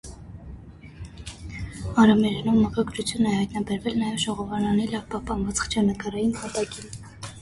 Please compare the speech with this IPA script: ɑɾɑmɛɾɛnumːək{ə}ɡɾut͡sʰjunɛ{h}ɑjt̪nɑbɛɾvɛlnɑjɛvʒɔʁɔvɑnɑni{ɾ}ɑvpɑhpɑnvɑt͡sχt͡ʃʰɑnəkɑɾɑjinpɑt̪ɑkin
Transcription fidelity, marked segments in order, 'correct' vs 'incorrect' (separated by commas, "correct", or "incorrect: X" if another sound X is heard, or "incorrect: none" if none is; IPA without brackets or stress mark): incorrect: ɑ, correct, incorrect: l